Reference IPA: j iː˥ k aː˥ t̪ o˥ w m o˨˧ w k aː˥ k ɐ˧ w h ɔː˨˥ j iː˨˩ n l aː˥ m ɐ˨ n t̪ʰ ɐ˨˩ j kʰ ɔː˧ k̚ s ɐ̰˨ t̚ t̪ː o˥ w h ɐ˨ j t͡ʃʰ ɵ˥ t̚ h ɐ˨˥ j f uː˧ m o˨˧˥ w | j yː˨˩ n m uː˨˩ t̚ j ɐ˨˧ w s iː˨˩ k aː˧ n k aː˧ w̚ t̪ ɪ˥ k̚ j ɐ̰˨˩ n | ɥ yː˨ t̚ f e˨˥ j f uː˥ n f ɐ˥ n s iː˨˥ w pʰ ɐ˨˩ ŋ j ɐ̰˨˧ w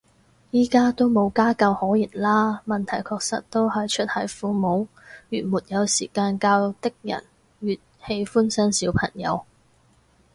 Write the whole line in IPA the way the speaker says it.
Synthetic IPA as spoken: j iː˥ k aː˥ t̪ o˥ w m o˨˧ w k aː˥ k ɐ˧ w h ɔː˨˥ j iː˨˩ n l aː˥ m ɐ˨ n t̪ʰ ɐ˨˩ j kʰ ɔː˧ k̚ s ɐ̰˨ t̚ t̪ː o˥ w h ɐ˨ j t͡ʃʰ ɵ˥ t̚ h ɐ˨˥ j f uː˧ m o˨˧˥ w | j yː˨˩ n m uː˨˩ t̚ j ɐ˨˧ w s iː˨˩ k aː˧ n k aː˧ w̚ t̪ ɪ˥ k̚ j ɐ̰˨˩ n | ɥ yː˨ t̚ h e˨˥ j f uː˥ n s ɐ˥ n s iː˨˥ w pʰ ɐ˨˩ ŋ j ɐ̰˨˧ w